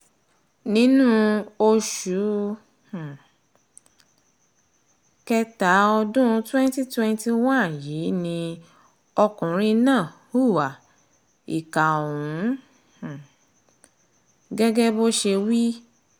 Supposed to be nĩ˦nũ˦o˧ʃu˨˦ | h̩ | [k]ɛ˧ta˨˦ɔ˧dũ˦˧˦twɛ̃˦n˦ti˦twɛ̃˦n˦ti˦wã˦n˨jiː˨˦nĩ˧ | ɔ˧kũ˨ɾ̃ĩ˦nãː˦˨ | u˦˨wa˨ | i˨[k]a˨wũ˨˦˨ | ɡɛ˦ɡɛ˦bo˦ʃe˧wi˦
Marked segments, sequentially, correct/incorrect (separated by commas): correct, correct